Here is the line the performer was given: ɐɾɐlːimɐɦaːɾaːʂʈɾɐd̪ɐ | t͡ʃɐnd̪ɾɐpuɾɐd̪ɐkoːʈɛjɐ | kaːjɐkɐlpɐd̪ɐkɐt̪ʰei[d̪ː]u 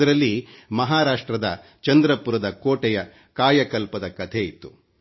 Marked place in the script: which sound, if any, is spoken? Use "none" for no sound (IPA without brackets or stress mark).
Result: t̪ː